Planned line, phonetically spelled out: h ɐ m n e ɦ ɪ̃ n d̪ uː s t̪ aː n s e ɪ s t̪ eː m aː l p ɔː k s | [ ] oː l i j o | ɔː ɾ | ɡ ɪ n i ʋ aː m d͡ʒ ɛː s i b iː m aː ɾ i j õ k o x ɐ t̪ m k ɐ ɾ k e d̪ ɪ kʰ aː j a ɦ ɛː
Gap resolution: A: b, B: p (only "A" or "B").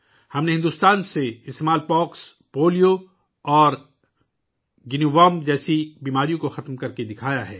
B